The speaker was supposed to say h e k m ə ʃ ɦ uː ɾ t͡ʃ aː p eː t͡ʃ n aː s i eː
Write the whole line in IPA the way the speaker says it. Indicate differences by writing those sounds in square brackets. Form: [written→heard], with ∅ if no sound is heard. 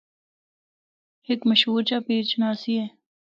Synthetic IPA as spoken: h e k m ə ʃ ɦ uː ɾ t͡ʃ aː p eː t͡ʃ n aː s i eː